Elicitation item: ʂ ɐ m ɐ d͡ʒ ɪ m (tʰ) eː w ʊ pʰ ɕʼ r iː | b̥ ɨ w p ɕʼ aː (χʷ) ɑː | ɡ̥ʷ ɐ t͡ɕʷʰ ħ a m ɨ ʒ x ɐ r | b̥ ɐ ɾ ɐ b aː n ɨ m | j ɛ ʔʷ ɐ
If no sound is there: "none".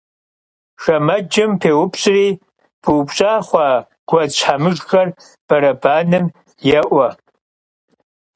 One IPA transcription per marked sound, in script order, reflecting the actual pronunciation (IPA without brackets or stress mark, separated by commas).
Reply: pʰ, χʷ